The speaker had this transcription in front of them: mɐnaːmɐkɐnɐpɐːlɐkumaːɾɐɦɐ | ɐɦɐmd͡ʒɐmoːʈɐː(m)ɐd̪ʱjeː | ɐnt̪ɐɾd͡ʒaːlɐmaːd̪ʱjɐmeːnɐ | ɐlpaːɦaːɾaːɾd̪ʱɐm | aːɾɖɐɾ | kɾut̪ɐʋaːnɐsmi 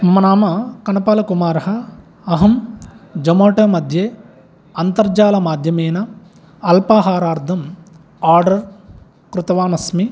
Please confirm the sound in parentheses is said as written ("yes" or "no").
yes